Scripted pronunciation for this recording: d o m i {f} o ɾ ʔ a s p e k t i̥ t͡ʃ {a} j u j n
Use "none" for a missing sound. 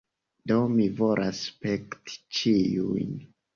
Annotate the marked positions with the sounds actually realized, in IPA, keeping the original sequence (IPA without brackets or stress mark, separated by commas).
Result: v, i